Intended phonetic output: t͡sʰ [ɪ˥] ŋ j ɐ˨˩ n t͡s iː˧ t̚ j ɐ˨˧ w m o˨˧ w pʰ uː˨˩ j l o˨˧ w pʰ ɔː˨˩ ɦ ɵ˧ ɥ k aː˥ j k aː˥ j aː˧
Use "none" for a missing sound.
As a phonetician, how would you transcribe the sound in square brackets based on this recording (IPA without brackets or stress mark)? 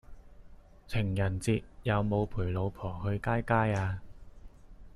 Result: ɪ˨˩